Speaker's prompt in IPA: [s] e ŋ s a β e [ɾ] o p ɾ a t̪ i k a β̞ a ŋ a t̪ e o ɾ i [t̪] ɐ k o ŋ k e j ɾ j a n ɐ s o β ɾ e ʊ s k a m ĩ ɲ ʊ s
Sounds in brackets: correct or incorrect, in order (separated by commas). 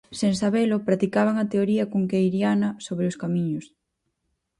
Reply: correct, incorrect, incorrect